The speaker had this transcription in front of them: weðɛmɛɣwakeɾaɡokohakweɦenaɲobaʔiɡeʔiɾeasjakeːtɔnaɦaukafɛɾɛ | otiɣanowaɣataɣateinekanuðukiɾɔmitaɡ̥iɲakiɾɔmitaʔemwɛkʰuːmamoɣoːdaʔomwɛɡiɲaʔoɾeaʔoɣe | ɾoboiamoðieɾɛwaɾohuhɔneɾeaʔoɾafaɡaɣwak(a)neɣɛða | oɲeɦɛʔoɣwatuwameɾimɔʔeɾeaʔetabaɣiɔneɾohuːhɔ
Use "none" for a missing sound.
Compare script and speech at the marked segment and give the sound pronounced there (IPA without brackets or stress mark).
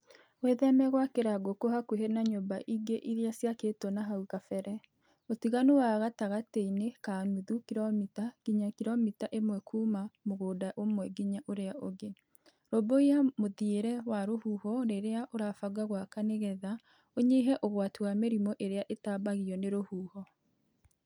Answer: a